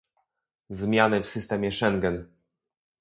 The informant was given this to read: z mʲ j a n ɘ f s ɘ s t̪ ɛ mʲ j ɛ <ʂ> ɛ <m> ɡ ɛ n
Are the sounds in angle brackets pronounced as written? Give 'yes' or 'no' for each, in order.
yes, no

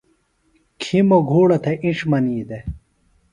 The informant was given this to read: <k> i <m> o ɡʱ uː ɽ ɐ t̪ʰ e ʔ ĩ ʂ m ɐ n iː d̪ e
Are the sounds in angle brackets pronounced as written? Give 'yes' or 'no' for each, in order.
no, yes

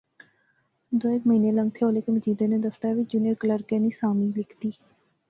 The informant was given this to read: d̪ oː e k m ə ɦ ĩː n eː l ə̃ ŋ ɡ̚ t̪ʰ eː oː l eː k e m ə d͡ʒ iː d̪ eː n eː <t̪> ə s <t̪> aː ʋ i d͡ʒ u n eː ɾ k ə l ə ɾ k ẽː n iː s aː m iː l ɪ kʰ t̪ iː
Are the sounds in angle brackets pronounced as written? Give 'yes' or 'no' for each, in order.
no, yes

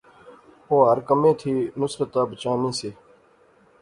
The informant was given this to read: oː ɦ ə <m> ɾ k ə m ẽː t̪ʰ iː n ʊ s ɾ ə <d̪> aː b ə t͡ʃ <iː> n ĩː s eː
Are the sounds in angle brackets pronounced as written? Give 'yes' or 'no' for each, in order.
no, no, no

